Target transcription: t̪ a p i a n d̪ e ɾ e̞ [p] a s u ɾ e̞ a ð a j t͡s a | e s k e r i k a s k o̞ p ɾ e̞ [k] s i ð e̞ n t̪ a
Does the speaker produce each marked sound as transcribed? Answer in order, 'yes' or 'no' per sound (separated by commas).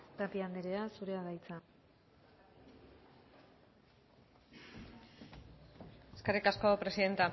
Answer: no, no